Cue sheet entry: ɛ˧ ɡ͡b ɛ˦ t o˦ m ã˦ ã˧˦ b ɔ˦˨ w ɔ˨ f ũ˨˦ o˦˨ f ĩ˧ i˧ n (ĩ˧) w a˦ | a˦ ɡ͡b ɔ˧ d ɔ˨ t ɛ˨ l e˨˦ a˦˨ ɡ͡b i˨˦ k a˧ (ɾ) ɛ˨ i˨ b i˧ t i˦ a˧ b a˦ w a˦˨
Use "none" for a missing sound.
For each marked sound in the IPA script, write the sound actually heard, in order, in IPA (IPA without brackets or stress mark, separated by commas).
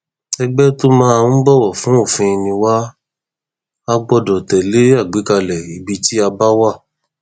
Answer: ĩ˧, l